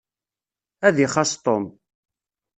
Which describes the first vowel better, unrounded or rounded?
unrounded